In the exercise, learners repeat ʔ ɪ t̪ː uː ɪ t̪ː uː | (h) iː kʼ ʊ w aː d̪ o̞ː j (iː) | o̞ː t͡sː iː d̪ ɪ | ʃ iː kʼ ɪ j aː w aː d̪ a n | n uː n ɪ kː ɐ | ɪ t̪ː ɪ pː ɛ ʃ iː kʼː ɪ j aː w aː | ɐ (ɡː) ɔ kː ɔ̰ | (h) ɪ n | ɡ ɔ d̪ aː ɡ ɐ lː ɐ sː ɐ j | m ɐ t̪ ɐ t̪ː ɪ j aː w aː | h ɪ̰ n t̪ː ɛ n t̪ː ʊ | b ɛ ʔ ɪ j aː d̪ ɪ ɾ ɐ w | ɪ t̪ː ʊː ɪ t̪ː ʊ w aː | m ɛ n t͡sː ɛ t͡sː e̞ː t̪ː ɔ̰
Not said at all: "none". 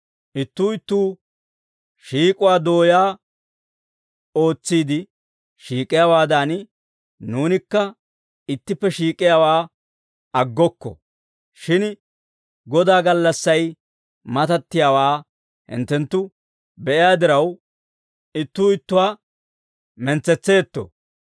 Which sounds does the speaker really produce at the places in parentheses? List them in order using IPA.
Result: ʃ, aː, ɡː, ʃ

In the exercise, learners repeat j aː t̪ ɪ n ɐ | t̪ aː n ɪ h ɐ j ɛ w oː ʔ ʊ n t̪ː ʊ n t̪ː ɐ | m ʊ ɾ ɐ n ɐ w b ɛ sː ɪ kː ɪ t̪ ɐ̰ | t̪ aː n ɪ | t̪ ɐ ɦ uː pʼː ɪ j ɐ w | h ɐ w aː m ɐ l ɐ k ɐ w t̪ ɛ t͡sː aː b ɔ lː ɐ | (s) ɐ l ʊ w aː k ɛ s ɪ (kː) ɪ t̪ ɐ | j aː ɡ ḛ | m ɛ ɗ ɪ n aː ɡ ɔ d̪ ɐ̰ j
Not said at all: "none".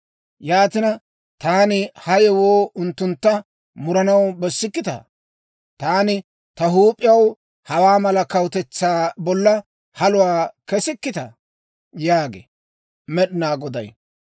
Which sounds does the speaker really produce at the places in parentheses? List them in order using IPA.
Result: h, kː

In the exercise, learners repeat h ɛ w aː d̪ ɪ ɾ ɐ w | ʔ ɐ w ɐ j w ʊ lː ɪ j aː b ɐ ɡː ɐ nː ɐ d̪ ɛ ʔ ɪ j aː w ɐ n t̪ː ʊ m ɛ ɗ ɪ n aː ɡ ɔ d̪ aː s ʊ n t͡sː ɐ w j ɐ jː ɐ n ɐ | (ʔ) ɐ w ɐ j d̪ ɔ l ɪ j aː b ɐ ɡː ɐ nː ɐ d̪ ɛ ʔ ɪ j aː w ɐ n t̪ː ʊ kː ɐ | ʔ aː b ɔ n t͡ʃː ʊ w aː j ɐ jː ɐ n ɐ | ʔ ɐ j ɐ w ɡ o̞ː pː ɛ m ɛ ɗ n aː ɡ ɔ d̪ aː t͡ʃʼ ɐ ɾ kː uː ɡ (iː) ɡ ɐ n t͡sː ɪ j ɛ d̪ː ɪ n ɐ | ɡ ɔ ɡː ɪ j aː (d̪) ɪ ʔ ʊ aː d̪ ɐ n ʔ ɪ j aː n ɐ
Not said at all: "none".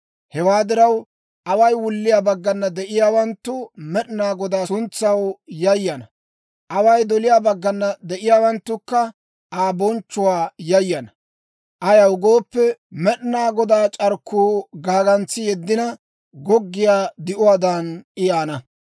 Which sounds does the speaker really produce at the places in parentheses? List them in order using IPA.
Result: ʔ, aː, d̪

